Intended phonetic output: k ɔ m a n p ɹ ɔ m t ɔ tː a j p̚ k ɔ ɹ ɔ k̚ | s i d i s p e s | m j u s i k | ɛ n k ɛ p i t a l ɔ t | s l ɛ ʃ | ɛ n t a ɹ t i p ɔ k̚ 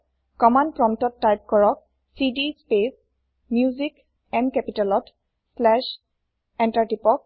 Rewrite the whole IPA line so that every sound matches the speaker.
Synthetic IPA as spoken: k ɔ m a n p ɹ ɔ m t ɔ tː a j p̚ k ɔ ɹ ɔ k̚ | s i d i s p e s | m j u z i k | ɛ n k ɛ p i t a l ɔ t | s l ɛ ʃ | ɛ n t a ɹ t i p ɔ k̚